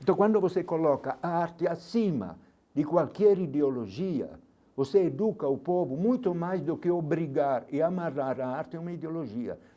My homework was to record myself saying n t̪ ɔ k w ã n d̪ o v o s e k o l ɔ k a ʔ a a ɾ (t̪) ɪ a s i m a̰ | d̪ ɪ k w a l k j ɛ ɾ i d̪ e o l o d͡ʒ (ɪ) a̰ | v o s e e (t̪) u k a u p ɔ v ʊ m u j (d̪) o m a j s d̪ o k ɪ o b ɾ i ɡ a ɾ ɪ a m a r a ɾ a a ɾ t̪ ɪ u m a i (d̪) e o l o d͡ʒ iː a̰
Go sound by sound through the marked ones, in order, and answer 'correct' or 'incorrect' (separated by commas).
correct, incorrect, incorrect, incorrect, correct